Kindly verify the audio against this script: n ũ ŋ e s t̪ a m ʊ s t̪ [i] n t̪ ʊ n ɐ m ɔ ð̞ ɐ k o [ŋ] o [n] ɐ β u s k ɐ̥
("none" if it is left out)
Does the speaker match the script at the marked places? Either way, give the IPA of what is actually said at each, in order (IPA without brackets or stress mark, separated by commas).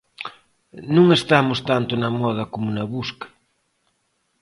a, m, n